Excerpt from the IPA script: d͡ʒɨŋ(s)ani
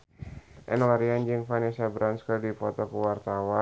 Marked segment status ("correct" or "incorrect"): incorrect